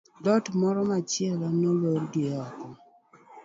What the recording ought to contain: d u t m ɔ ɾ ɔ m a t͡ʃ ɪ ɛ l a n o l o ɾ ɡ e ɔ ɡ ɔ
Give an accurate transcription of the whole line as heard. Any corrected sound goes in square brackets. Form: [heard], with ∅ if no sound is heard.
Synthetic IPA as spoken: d [ɔ] t m ɔ ɾ ɔ m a t͡ʃ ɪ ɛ l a n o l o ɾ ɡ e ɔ [k] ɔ